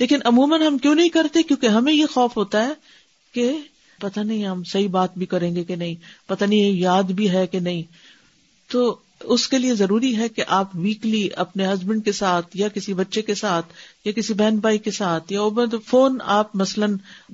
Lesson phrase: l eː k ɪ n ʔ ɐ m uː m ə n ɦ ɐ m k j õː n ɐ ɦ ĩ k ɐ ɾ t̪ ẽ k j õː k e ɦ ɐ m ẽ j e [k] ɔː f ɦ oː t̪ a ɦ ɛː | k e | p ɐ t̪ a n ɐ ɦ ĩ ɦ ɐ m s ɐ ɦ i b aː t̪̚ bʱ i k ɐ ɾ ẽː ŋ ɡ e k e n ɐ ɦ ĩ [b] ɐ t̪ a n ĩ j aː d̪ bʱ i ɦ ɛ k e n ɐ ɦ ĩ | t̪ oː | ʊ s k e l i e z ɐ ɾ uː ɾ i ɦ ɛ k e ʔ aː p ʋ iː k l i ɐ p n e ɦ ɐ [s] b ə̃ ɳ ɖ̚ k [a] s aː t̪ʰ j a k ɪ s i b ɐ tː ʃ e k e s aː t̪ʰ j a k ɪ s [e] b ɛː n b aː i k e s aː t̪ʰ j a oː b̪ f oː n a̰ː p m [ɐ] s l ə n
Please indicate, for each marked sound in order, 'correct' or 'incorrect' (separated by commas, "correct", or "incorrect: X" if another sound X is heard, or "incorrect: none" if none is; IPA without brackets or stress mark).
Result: incorrect: x, incorrect: p, incorrect: z, incorrect: e, incorrect: i, correct